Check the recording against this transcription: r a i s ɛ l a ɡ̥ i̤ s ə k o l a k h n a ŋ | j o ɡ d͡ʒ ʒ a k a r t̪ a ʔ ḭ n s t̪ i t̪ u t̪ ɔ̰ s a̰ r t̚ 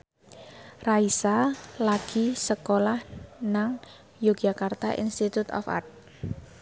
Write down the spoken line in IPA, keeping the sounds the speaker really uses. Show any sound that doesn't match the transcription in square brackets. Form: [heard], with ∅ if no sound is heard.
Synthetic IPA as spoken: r a i s [a] l a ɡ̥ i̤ s ə k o l a [∅] h n a ŋ | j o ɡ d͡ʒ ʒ a k a r t̪ a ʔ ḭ n s t̪ i t̪ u t̪ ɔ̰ [f] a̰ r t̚

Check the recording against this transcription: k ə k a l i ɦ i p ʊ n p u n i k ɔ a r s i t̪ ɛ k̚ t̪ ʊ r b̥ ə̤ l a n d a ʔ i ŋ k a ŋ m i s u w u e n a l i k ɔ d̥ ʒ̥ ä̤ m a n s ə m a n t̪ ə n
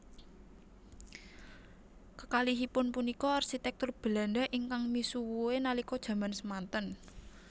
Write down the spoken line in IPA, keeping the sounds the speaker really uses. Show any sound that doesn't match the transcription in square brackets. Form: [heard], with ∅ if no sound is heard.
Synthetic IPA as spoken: k ə k a l i ɦ i p ʊ n p u n i k ɔ a r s i t̪ ɛ k̚ t̪ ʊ r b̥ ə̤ l a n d a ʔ i ŋ k a ŋ m i s u w u e n a l i k ɔ d̥ ʒ̥ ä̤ m a n s ə m a n t̪ ə n

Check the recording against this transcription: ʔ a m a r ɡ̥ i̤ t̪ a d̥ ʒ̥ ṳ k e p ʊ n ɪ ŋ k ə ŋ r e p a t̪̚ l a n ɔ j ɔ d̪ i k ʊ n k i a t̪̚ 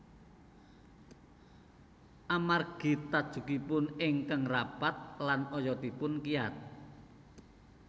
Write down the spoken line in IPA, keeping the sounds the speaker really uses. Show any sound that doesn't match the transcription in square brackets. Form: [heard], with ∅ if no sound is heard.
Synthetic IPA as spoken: ʔ a m a r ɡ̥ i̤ t̪ a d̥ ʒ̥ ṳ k [i] p ʊ n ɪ ŋ k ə ŋ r [a] p a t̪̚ l a n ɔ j ɔ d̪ i [p] ʊ n k i a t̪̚

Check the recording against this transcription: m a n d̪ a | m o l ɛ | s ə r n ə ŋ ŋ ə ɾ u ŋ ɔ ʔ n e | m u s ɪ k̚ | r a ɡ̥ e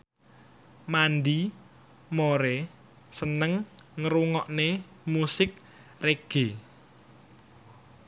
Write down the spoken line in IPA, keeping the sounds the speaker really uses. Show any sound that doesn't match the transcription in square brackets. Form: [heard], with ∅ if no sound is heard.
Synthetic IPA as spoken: m a n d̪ [i] | m o [ɾ] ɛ | s ə [∅] n ə ŋ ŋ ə ɾ u ŋ ɔ ʔ n e | m u s ɪ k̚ | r [e] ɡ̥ e

